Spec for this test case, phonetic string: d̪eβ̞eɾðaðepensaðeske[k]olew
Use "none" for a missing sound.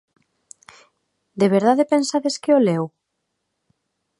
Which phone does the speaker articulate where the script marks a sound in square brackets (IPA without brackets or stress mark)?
none